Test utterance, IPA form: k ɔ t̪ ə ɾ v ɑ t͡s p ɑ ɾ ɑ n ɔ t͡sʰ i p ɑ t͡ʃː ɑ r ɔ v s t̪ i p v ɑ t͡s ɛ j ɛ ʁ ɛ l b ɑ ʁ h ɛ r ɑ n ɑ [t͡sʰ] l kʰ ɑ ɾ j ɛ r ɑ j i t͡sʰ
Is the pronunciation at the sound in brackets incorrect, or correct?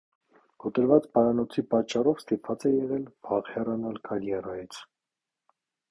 incorrect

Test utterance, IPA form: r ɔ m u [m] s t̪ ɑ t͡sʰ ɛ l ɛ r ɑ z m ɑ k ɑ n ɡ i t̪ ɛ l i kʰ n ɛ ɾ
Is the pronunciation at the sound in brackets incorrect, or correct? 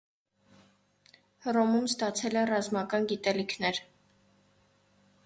correct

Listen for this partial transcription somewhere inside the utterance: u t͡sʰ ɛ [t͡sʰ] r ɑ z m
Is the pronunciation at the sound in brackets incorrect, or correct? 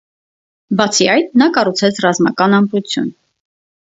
correct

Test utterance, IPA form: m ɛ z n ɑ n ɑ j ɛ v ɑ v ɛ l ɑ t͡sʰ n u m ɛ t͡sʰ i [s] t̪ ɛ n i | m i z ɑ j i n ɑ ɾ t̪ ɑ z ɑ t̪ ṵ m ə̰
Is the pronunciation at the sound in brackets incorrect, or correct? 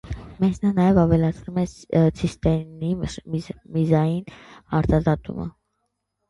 correct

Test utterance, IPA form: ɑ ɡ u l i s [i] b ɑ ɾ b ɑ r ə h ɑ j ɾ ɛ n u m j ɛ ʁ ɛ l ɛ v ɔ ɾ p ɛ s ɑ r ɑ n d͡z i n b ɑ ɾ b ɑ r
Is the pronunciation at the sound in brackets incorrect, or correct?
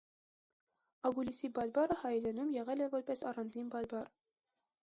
correct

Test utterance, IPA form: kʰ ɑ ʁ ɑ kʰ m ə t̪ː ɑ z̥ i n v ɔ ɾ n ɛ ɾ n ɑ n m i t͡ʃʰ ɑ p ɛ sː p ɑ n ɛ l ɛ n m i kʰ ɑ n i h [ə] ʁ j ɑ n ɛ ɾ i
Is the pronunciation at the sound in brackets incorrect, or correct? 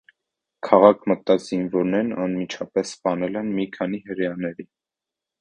correct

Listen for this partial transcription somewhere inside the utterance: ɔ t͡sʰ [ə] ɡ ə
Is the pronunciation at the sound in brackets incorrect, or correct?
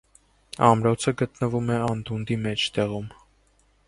correct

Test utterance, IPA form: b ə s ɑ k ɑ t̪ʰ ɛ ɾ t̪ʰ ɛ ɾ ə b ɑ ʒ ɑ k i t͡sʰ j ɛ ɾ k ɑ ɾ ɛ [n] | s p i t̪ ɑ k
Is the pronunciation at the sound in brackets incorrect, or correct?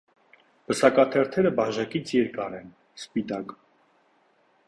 correct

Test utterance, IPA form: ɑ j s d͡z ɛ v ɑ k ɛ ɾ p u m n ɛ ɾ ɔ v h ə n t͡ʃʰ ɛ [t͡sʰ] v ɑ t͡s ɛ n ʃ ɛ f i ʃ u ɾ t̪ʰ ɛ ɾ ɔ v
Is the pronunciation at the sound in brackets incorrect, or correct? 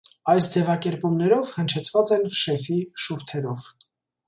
correct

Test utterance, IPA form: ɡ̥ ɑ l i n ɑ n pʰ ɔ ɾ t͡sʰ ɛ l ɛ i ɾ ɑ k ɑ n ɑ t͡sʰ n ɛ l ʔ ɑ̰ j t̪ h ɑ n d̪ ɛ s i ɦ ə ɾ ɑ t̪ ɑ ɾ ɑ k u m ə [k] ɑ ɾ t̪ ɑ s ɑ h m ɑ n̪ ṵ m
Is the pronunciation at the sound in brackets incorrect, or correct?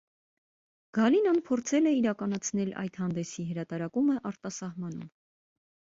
incorrect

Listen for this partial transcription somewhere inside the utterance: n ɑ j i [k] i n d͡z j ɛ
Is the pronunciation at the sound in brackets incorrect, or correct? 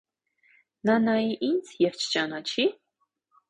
incorrect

